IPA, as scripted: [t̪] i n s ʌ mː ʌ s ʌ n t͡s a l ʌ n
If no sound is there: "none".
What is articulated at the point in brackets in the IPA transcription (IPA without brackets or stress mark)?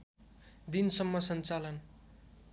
d̪